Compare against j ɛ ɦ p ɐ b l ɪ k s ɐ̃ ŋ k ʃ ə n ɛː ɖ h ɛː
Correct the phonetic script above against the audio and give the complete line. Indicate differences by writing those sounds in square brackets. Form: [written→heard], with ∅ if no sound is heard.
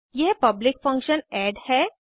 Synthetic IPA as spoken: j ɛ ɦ p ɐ b l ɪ k [s→f] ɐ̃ ŋ k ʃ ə n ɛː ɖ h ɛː